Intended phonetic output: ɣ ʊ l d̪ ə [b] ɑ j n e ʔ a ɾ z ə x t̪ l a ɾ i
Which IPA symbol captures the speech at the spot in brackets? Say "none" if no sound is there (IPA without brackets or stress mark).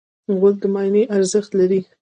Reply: m